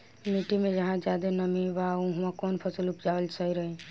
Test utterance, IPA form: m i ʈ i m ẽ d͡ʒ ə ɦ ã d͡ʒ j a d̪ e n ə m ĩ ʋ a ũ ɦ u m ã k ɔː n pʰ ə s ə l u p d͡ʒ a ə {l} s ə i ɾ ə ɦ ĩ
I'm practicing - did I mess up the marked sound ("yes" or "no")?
no